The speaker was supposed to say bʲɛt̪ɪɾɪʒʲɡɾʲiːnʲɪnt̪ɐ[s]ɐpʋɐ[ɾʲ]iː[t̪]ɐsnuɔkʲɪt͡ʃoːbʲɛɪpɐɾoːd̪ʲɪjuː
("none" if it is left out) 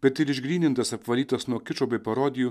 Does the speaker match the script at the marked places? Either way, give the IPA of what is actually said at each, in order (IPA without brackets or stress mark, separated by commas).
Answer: s, lʲ, t̪